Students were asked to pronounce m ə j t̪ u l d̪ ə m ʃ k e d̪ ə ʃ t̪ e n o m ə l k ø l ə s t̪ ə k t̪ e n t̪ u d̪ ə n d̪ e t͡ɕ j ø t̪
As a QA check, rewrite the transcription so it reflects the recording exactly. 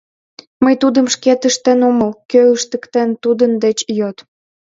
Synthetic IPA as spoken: m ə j t̪ u d̪ ə m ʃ k e t̪ ə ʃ t̪ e n o m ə l k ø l ə ʃ t̪ ə k t̪ e n t̪ u d̪ ə n d̪ e t͡ɕ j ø t̪